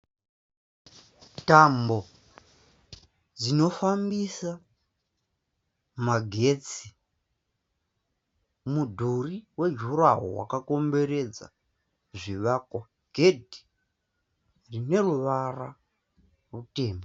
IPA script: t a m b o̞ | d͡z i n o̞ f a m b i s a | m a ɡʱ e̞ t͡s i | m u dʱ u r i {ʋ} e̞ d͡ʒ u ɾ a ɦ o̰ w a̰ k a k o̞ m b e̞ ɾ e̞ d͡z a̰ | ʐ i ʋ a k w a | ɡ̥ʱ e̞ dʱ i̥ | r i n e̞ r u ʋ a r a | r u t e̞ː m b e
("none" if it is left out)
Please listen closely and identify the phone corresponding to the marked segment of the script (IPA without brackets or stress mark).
w